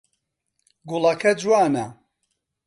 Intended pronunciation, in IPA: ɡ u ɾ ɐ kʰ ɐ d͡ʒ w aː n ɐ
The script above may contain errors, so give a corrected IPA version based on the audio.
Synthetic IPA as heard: ɡ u l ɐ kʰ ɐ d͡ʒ w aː n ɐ